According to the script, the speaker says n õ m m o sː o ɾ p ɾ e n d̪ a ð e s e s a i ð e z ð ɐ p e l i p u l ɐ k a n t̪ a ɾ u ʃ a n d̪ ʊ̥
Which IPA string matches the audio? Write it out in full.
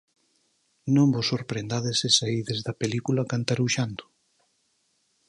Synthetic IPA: n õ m b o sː o ɾ p ɾ e n d̪ a ð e s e s a i ð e z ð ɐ p e l i k u l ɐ k a n t̪ a ɾ u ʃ a n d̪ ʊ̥